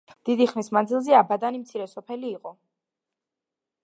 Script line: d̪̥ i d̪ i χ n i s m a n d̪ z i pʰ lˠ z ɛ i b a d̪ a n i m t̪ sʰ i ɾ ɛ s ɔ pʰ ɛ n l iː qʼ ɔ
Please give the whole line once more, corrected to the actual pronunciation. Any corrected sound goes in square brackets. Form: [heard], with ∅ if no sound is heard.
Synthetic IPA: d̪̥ i d̪ i χ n i s m a n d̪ z i [∅] lˠ z ɛ [a] b a d̪ a n i m t̪ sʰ i ɾ ɛ s ɔ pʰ ɛ [∅] l iː qʼ ɔ